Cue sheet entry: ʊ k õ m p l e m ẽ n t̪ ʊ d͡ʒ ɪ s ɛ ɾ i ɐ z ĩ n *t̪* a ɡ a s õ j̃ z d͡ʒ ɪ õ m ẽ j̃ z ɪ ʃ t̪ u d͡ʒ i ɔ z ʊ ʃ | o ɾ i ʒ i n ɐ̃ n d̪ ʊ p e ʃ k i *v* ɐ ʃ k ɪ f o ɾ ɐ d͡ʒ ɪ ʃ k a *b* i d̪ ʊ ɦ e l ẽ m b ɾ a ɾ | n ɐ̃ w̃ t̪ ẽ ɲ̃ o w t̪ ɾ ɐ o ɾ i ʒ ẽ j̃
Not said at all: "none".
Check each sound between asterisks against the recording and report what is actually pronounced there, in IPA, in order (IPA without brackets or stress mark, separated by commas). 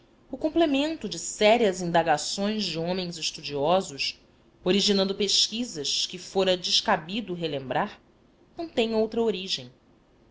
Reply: d̪, z, b